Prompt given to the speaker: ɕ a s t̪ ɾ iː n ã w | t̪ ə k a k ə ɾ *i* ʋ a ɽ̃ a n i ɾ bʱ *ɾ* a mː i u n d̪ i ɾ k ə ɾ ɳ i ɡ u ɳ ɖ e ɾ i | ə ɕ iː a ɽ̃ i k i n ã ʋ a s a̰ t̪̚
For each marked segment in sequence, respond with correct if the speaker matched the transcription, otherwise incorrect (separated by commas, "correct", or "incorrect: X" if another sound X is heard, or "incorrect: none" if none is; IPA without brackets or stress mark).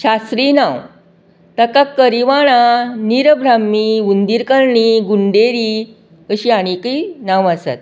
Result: correct, correct